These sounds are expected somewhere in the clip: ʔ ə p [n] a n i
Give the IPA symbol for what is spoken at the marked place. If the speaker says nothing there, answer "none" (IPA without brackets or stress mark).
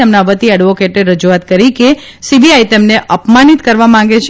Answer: m